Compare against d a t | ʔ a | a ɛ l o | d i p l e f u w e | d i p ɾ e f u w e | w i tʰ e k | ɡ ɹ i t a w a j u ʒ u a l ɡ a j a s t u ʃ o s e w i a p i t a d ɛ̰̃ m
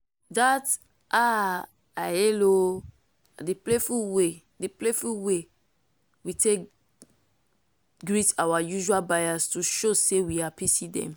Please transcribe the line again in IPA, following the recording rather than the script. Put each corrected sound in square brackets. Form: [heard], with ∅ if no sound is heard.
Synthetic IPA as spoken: d a t | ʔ a | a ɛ l o | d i p l e f u w e | d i p [l] e f u w e | w i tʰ e k | ɡ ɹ i t a w a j u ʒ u a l [b] a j a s t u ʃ o s e w i a p i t [i] d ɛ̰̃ m